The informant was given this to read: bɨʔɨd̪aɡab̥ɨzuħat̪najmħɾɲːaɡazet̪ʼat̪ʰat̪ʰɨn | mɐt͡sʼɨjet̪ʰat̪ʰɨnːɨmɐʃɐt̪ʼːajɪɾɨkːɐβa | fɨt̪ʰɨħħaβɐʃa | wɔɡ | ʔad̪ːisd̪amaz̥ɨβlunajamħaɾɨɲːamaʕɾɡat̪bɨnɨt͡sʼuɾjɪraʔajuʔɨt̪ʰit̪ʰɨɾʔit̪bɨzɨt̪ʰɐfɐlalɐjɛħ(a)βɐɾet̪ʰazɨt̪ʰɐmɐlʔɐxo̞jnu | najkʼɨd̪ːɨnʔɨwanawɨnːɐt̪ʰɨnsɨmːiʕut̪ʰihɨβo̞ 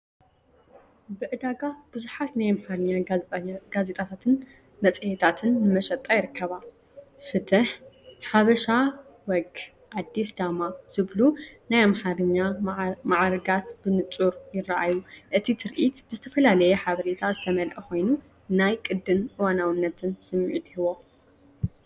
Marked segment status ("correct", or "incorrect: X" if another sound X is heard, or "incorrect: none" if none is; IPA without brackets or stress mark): correct